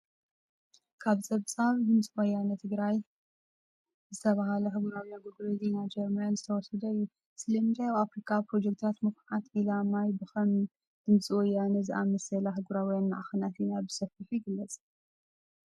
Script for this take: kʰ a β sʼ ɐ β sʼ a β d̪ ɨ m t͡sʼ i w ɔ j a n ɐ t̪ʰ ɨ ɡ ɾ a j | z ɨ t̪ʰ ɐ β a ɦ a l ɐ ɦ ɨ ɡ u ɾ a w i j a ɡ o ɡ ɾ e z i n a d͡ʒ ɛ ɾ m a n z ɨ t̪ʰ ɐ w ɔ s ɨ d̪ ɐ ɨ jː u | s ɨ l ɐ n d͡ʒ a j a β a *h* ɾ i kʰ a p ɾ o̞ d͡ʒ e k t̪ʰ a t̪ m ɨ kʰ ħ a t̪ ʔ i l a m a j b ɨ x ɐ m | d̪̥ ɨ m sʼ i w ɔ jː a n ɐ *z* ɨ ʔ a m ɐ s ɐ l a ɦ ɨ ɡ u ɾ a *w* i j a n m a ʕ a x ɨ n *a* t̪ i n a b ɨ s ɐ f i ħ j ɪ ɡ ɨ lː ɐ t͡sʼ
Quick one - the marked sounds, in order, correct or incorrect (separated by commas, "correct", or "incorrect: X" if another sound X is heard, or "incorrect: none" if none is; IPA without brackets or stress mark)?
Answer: incorrect: f, correct, correct, correct